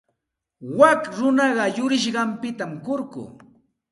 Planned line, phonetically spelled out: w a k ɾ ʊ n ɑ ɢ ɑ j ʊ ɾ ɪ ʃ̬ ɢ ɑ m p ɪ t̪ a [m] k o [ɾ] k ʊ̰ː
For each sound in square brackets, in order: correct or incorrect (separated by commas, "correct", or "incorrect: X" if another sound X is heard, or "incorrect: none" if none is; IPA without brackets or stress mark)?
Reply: correct, correct